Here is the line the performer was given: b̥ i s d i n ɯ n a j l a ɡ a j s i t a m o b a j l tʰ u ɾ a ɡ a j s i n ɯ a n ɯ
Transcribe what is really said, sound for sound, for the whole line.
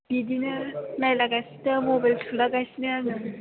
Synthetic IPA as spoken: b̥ i d i n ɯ n a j l a ɡ a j s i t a m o b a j l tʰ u l a ɡ a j s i n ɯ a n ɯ